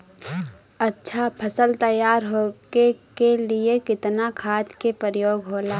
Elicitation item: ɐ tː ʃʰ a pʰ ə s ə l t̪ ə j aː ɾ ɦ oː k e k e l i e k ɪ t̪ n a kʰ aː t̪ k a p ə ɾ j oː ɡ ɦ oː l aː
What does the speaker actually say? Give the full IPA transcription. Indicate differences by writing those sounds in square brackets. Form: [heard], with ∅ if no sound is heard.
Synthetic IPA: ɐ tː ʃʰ a pʰ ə s ə l t̪ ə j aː ɾ ɦ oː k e k e l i e k ɪ t̪ n a kʰ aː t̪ k [e] p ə ɾ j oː ɡ ɦ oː l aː

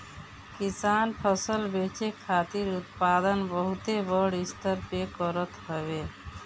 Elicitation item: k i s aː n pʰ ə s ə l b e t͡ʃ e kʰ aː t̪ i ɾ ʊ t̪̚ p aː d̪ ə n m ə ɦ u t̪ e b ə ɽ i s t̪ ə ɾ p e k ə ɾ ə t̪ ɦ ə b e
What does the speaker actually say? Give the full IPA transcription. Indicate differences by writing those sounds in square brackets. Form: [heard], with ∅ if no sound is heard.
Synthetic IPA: k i s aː n pʰ ə s ə l b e t͡ʃ e kʰ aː t̪ i ɾ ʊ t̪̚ p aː d̪ ə n [b] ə ɦ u t̪ e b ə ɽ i s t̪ ə ɾ p e k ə ɾ ə t̪ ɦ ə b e

